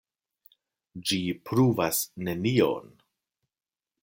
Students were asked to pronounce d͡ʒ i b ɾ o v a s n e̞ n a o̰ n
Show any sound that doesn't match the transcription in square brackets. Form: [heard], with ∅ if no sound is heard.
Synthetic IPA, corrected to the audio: d͡ʒ i [p] ɾ [u] v a s n e̞ n [i] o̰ n